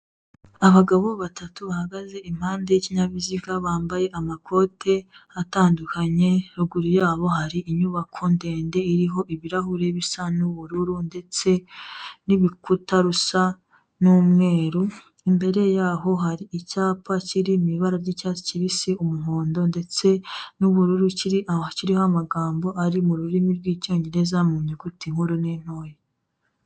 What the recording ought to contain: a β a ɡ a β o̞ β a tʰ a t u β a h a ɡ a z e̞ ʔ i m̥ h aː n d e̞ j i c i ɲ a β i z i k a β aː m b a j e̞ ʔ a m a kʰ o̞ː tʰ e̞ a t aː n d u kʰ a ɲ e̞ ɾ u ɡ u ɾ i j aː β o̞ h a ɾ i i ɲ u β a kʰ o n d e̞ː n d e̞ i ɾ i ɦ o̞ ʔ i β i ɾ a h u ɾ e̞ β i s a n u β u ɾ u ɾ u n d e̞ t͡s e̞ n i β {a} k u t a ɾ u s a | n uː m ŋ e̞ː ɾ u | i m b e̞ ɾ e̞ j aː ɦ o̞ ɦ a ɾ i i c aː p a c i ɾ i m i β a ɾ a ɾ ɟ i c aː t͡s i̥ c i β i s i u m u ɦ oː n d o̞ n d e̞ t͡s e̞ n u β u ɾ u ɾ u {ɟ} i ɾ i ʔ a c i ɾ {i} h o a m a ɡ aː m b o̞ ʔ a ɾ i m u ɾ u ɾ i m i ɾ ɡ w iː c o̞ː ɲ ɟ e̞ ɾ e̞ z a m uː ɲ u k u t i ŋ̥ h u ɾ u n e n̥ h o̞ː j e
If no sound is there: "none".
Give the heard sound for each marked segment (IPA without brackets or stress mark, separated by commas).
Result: i, c, i